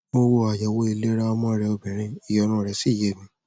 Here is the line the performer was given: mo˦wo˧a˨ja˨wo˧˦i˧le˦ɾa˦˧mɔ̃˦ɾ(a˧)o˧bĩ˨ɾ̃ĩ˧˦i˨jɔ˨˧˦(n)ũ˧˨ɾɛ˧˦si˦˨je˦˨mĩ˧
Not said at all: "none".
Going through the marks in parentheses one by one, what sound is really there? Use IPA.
ɛ˧, n

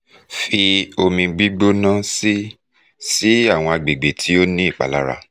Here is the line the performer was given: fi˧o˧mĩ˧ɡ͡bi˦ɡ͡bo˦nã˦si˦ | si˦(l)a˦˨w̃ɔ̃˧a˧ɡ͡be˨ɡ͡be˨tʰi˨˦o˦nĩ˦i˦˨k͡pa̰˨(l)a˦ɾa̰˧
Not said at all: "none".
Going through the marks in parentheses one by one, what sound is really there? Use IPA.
none, l

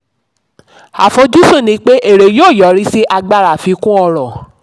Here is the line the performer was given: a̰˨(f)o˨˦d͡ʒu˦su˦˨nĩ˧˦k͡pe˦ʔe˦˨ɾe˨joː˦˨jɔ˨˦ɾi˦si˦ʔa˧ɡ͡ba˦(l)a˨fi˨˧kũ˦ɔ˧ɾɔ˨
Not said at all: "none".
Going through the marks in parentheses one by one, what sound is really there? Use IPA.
f, ɾ

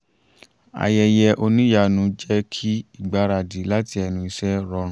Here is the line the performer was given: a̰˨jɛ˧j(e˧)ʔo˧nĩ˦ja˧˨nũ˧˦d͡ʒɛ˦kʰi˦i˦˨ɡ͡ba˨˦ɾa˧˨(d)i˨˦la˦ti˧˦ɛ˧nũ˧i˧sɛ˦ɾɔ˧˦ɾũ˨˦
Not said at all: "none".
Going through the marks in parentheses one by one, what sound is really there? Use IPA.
ɛ˧, d

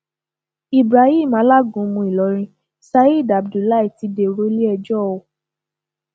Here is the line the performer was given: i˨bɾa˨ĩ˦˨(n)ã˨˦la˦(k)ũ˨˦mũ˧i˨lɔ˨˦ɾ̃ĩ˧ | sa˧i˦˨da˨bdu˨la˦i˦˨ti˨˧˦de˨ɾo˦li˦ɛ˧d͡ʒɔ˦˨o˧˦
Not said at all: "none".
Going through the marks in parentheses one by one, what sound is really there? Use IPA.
m, ɡ

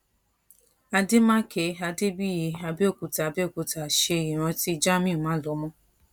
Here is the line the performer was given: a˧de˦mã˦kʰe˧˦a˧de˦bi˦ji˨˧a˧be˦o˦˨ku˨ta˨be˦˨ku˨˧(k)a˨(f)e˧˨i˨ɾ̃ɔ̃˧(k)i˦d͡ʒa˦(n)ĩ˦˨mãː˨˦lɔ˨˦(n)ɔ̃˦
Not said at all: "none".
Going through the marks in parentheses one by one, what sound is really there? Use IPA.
t, ʃ, t, m, m

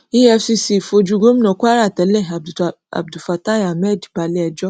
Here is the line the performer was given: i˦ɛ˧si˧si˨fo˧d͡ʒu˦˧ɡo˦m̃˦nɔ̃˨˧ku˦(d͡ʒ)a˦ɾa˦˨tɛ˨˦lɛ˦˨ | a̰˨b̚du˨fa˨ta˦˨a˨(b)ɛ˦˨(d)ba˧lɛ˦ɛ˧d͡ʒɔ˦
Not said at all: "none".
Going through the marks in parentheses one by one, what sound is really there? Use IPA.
none, m, d

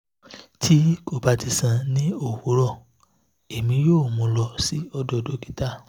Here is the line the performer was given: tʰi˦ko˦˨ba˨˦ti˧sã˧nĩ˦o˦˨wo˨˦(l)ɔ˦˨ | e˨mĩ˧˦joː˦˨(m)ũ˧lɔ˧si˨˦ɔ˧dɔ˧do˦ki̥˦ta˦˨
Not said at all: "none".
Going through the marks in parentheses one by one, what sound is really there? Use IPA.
ɾ, m

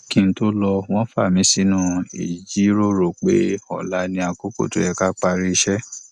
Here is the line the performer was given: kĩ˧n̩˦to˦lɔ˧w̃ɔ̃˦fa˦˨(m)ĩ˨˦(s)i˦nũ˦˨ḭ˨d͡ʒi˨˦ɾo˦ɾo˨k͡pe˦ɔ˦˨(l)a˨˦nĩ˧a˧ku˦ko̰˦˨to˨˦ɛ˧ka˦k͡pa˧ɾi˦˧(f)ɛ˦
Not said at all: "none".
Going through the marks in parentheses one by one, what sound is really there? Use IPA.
m, s, l, ʃ

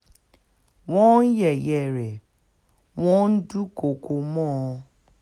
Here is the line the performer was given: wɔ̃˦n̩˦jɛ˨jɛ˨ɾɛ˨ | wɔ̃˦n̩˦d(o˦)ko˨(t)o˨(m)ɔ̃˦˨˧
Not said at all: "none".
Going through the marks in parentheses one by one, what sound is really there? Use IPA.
u˦, k, m

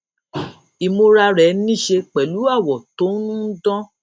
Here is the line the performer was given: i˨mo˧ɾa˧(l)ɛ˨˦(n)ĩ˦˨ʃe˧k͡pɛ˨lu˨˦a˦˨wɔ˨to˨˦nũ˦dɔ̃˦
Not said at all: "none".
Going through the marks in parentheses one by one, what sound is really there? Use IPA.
ɾ, n

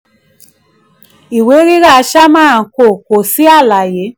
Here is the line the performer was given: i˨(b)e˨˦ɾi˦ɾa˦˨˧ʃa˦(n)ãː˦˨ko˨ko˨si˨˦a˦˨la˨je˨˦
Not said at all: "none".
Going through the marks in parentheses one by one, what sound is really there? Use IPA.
w, m

